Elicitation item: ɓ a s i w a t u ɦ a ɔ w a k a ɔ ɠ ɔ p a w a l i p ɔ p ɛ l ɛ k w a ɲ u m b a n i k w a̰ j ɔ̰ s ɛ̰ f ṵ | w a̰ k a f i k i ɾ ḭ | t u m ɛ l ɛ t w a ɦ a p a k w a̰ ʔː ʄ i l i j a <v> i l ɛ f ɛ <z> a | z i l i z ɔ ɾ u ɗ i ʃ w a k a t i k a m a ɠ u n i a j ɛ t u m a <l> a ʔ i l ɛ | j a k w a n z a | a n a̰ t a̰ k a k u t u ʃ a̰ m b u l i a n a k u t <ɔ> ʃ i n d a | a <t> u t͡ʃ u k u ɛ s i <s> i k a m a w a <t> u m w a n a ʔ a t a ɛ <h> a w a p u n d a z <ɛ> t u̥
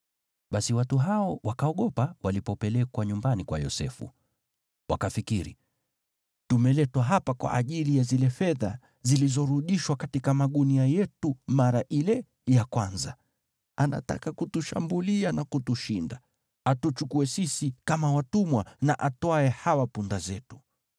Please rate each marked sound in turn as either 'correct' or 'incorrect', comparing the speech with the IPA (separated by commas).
incorrect, incorrect, incorrect, incorrect, correct, correct, correct, correct, correct